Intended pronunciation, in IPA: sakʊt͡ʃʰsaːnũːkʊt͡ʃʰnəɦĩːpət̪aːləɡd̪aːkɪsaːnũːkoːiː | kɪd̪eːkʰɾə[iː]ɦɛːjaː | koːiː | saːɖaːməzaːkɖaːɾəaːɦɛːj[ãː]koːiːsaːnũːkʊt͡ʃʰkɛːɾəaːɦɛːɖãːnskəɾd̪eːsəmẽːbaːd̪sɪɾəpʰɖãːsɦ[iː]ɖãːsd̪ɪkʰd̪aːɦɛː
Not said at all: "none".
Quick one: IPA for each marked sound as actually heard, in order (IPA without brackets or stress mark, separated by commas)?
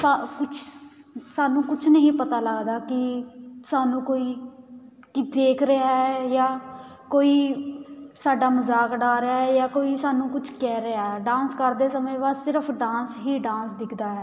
aː, aː, iː